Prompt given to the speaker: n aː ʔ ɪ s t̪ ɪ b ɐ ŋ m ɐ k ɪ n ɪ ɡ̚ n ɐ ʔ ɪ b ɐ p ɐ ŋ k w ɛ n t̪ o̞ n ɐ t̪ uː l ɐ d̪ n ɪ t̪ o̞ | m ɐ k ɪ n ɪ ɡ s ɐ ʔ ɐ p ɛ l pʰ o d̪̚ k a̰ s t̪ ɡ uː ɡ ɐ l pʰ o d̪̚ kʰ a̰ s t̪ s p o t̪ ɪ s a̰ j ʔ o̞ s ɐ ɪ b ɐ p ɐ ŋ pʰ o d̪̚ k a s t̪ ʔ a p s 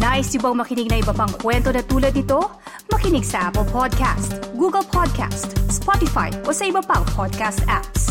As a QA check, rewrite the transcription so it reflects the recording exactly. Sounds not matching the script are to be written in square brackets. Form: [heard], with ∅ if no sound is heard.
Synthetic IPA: n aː ʔ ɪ s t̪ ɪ b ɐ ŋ m ɐ k ɪ n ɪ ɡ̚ n ɐ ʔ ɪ b ɐ p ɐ ŋ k w ɛ n t̪ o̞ n ɐ t̪ uː l ɐ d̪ n ɪ t̪ o̞ | m ɐ k ɪ n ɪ ɡ s ɐ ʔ [a] p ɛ l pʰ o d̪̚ k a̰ s t̪ ɡ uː ɡ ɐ l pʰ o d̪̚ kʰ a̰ s t̪ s p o t̪ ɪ [f] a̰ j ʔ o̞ s ɐ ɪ b ɐ p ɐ ŋ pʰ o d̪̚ k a s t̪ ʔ a p s